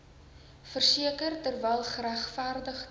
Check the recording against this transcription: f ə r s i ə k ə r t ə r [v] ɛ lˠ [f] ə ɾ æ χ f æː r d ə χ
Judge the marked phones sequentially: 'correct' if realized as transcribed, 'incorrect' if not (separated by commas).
correct, incorrect